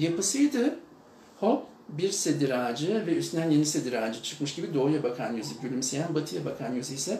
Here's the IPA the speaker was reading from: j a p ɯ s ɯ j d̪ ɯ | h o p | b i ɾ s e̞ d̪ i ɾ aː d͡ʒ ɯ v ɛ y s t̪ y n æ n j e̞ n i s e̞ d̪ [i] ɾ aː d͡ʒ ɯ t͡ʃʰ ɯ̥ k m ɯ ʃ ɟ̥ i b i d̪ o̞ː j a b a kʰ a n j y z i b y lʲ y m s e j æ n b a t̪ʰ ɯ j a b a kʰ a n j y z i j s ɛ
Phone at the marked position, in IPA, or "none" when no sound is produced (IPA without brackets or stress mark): i